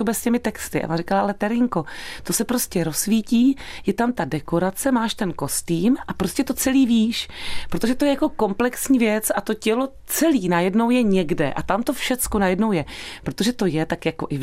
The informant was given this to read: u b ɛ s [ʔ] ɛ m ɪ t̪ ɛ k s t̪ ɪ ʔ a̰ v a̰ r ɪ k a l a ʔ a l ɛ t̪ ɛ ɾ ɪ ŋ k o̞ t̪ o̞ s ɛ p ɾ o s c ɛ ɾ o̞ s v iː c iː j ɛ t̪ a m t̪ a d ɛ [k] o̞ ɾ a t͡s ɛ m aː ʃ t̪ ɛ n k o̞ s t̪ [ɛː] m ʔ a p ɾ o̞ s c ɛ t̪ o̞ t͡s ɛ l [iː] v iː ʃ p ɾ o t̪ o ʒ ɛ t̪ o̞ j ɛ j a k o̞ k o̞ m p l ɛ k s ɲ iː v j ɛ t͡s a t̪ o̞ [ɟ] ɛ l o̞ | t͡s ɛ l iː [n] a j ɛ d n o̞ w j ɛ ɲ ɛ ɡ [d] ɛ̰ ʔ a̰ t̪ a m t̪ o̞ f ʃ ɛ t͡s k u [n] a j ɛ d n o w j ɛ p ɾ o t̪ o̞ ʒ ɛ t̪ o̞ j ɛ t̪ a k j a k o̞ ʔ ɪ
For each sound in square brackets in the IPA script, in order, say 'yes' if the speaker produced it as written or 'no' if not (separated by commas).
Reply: no, yes, no, yes, no, yes, yes, yes